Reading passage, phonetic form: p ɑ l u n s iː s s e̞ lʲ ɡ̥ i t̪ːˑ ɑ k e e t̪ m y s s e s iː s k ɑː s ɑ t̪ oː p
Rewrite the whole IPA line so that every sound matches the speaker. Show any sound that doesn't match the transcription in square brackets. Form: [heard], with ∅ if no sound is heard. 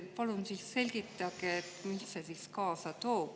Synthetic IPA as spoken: p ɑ l u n s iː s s e̞ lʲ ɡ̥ i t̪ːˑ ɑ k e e t̪ m [i] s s e s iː s k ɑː s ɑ t̪ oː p